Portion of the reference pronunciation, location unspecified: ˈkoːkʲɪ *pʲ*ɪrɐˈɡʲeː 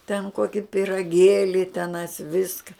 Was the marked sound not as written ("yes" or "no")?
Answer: no